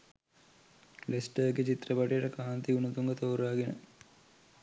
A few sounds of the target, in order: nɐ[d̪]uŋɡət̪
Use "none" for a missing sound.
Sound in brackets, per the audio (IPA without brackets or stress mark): t̪